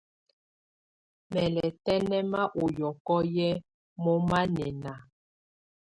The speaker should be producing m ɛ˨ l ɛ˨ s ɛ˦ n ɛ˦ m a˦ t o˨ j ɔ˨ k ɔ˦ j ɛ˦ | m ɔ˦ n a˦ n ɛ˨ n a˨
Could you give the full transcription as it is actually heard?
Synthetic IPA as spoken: m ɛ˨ l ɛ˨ t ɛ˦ n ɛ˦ m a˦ ʔ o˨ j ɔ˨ k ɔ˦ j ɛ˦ | m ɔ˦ m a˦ n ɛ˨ n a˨